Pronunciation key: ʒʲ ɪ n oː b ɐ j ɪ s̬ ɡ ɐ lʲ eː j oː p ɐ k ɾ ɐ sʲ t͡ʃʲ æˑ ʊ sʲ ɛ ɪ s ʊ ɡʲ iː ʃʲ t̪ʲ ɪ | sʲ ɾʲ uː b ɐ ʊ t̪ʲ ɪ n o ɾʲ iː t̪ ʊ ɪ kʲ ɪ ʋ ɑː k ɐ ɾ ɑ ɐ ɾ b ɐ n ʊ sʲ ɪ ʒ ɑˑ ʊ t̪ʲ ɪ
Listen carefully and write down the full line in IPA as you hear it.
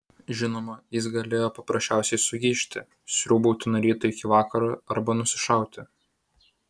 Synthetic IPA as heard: ʒʲ ɪ n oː m ɐ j ɪ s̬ ɡ ɐ lʲ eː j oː p ɐ p ɾ ɐ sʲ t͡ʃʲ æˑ ʊ sʲ ɛ ɪ s ʊ ɡʲ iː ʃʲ t̪ʲ ɪ | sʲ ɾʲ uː b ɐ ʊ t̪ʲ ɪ n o ɾʲ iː t̪ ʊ ɪ kʲ ɪ ʋ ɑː k ɐ ɾ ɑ ɐ ɾ b ɐ n ʊ sʲ ɪ ʃ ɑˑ ʊ t̪ʲ ɪ

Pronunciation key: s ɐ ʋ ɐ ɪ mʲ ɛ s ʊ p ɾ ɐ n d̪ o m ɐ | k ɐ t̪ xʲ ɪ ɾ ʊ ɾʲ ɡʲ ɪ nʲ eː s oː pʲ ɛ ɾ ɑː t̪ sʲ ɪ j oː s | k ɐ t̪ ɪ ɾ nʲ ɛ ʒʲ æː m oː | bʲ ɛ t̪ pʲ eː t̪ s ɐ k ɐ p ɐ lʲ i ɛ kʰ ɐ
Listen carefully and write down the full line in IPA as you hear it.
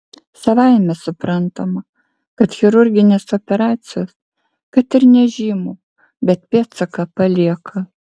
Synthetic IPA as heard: s ɐ ʋ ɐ ɪ mʲ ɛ s ʊ p ɾ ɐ n t̪ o m ɐ | k ɐ t̪ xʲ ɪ ɾ ʊ ɾʲ ɡʲ ɪ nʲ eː s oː pʲ ɛ ɾ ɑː t̪ sʲ ɪ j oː s | k ɐ t̪ ɪ ɾ nʲ ɛ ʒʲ iː m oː | bʲ ɛ t̪ pʲ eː t̪ s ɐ k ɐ p ɐ lʲ i ɛ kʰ ɐ

